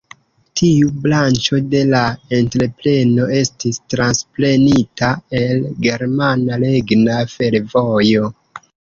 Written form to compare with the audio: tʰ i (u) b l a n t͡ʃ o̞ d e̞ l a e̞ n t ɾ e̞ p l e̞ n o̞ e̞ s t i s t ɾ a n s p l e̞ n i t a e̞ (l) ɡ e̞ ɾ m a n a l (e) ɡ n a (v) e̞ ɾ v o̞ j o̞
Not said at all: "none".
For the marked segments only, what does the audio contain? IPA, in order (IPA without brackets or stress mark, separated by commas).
u, l, e, f